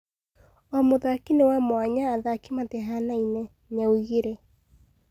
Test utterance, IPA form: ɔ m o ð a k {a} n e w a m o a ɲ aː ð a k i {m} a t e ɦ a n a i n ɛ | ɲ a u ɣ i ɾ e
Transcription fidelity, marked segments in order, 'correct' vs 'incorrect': incorrect, correct

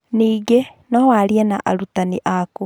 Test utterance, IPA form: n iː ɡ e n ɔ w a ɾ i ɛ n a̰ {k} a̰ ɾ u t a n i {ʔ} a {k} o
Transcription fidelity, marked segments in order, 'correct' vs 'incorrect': incorrect, correct, correct

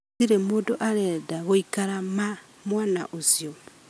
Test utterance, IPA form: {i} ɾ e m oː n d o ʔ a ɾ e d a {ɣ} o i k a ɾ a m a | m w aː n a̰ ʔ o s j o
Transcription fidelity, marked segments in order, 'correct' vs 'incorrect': correct, correct

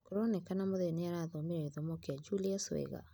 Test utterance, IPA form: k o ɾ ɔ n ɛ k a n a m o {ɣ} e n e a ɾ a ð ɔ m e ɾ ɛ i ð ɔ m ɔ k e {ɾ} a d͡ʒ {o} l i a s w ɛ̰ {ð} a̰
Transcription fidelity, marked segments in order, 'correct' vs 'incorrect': incorrect, incorrect, incorrect, incorrect

